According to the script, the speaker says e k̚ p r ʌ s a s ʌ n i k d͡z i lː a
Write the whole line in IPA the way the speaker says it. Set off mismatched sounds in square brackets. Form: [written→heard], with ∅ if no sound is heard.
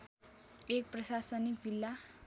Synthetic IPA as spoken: e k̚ p r ʌ s a s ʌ n i k d͡z i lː a